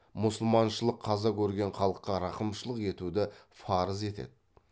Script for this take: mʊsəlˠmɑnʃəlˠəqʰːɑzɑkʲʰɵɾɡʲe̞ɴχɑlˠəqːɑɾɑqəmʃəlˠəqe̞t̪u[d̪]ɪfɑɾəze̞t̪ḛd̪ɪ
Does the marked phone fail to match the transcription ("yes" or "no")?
no